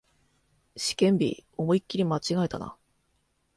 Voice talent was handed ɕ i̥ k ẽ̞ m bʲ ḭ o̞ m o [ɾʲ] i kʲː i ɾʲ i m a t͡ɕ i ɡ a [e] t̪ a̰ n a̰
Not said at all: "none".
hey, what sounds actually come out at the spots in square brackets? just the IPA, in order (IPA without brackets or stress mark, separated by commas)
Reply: none, e